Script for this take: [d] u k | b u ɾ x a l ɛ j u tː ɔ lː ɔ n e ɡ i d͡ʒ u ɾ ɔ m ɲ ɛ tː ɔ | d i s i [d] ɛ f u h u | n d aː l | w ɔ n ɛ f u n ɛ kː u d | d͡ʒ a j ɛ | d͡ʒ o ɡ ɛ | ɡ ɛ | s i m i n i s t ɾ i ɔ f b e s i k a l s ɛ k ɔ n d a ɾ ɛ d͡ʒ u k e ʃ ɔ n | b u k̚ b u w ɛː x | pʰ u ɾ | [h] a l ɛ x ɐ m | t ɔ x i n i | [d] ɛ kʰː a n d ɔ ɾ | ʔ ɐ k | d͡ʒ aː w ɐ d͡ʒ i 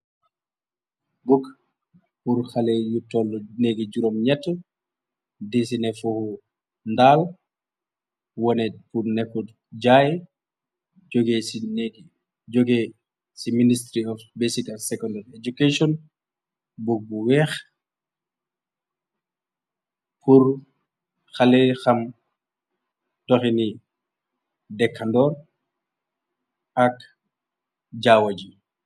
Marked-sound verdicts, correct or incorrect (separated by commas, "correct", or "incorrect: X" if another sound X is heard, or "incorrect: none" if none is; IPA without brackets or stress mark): incorrect: b, incorrect: n, incorrect: x, correct